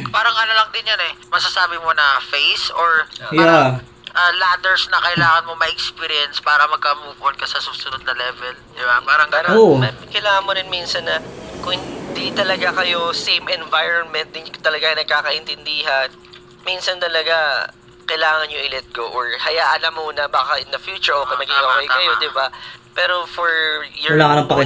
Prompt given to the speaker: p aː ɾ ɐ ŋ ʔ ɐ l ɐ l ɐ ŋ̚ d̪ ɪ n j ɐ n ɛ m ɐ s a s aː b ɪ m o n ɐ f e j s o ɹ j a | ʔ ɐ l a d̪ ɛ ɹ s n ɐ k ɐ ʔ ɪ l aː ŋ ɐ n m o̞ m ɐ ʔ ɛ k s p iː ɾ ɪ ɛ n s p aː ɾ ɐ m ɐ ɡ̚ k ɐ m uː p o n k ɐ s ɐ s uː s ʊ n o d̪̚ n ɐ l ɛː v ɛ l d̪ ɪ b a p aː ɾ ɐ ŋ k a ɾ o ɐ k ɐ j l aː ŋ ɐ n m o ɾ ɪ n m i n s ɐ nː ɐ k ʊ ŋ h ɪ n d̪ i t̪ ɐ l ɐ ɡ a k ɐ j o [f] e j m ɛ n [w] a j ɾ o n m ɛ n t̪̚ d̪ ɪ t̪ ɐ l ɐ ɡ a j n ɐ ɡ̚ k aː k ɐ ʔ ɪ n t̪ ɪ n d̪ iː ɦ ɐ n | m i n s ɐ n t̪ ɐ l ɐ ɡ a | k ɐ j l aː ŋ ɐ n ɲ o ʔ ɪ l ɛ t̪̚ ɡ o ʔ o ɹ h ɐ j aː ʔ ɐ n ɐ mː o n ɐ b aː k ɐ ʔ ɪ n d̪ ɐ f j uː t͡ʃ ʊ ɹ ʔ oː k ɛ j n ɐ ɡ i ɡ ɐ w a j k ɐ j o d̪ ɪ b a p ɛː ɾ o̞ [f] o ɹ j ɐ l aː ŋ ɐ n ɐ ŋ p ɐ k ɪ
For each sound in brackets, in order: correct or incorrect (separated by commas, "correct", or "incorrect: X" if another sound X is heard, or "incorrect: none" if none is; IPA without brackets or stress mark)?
incorrect: s, incorrect: v, correct